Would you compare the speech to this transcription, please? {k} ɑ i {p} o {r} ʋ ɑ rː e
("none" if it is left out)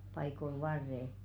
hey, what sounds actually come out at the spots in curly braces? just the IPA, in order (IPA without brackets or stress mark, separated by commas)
p, k, l